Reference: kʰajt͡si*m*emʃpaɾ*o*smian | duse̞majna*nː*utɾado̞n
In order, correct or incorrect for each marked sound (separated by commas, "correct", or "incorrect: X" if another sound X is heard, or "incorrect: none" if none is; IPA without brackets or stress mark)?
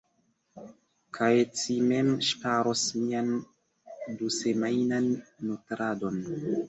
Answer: correct, correct, correct